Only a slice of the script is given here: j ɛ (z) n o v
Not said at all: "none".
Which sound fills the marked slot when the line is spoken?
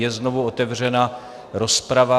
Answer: z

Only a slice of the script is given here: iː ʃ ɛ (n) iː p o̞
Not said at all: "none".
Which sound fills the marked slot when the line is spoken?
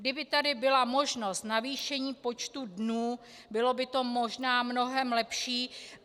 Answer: ɲ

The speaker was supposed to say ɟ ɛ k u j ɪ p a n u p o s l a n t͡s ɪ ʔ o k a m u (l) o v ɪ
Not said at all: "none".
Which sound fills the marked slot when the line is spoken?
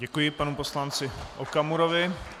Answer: ɾ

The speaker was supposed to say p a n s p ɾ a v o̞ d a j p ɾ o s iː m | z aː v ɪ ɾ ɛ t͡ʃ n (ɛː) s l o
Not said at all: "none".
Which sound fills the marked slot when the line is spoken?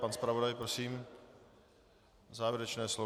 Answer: ɛː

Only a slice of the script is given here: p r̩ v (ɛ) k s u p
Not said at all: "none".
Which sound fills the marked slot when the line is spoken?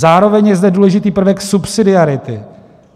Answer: ɛ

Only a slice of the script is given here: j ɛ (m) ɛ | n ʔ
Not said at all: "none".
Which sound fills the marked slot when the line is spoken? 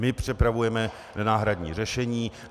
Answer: m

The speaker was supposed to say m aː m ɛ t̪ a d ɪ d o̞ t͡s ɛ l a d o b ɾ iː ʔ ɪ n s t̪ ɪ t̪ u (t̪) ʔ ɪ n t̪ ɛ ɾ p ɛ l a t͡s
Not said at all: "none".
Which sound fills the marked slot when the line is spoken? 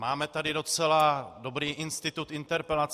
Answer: t̪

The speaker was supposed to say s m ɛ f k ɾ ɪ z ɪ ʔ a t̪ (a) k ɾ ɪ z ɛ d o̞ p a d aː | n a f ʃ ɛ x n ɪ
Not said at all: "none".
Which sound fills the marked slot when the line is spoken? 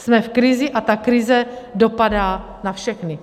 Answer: a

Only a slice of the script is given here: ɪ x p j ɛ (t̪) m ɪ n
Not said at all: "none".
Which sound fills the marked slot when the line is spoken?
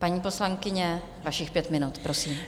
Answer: t̪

